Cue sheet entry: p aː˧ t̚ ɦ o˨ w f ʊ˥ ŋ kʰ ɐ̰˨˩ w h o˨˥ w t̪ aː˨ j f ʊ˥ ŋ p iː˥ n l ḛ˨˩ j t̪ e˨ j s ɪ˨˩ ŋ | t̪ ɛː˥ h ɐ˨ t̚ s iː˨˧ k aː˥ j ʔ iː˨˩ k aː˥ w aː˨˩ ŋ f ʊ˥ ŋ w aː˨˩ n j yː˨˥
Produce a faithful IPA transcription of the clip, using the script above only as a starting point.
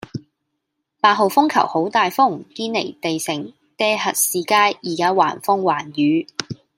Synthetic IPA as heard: p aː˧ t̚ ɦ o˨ w f ʊ˥ ŋ kʰ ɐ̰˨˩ w h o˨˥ w t̪ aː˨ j f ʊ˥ ŋ k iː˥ n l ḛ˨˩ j t̪ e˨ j s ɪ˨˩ ŋ | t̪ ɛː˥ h ɐ˨ t̚ s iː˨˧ k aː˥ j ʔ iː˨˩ k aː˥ w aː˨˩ n f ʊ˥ ŋ w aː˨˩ n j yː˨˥